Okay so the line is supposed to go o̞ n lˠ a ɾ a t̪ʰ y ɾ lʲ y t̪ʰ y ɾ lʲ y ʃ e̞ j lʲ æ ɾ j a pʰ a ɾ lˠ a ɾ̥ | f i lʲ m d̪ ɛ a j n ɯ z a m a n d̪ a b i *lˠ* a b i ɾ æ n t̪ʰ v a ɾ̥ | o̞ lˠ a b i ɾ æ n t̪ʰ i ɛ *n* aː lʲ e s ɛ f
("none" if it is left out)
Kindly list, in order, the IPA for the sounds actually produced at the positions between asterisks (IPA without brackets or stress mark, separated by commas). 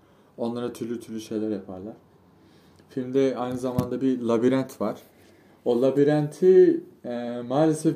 lˠ, m